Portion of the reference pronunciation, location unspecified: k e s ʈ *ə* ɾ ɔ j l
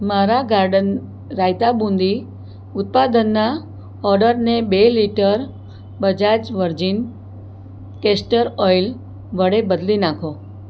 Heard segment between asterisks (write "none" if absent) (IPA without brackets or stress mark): ə